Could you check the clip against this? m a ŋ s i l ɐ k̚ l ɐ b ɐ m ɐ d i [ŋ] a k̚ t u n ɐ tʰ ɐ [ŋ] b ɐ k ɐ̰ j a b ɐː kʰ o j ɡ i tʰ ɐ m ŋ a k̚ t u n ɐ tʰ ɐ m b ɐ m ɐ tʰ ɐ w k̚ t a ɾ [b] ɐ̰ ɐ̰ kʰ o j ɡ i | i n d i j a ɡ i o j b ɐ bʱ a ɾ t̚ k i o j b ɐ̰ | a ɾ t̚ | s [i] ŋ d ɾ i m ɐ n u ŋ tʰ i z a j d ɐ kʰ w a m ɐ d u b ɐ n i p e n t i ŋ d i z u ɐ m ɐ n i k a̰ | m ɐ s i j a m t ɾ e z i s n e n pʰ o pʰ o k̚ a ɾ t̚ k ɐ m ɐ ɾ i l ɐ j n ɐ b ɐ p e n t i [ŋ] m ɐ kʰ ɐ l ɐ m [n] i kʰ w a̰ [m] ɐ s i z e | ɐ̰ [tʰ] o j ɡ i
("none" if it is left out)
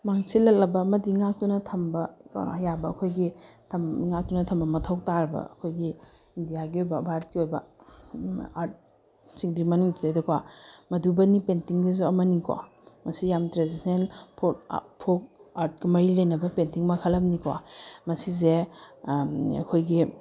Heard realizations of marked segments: ŋ, m, b, i, ŋ, n, m, kʰ

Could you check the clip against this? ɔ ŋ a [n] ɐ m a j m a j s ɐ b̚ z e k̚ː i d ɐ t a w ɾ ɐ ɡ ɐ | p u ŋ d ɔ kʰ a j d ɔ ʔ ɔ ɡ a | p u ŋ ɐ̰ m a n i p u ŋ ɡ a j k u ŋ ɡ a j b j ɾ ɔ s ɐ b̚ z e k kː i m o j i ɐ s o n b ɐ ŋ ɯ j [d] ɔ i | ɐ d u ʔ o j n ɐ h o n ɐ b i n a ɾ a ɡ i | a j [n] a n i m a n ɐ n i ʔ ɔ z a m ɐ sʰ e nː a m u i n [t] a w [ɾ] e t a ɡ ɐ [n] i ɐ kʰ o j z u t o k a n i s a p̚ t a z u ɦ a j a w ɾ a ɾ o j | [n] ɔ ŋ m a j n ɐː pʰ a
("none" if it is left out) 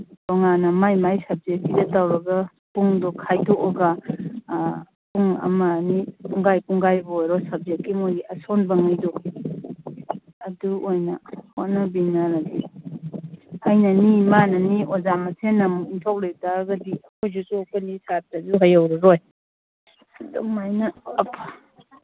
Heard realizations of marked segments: n, d, n, tʰ, l, d, d

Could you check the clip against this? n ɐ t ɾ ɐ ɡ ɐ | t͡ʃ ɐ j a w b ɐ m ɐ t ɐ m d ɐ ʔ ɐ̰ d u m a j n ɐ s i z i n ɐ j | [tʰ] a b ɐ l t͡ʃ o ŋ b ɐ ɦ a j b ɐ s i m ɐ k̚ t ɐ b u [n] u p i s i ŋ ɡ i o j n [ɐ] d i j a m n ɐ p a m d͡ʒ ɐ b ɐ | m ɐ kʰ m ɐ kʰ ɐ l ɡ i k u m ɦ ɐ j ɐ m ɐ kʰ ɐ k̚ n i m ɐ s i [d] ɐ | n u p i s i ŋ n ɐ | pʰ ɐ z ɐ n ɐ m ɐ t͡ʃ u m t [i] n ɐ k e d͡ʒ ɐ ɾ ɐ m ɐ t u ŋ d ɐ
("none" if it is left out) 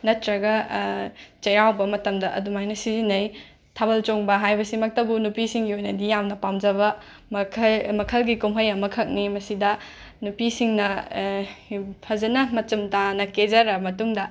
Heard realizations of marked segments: tʰ, n, ɐ, d, a

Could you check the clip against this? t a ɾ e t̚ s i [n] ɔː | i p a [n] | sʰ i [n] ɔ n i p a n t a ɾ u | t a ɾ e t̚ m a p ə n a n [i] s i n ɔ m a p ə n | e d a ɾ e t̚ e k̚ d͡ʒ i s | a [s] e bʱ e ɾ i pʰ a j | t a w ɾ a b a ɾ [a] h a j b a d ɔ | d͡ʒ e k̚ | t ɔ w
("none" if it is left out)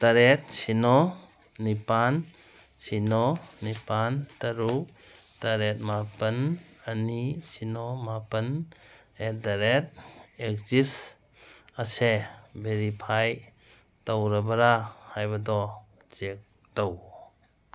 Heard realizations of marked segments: n, n, n, i, s, a

